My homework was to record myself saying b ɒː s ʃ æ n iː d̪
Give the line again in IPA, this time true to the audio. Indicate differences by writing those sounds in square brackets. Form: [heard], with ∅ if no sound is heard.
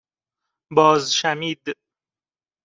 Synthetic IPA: b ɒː [z] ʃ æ [m] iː d̪